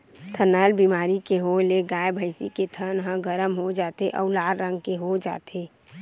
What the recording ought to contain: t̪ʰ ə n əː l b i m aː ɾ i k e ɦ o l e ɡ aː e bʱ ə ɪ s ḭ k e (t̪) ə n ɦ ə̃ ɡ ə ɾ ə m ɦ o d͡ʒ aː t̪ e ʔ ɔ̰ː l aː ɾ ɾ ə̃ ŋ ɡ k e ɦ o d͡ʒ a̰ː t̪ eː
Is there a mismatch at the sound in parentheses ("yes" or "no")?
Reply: yes